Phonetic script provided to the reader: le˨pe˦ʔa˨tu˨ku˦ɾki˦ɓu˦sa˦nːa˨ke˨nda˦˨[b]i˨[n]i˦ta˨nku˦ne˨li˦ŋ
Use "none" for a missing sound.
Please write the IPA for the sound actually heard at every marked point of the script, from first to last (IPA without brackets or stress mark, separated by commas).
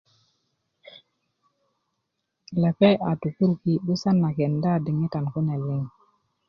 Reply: d, ŋ